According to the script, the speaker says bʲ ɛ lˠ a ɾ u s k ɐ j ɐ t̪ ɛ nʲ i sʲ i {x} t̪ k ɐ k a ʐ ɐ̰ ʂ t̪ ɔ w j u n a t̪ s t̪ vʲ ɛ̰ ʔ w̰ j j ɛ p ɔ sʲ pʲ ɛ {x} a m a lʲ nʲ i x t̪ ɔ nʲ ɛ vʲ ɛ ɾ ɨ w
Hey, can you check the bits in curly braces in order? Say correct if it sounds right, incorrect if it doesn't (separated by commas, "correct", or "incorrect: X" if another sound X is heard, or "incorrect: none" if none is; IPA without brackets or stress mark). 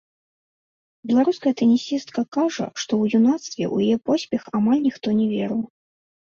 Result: incorrect: s, correct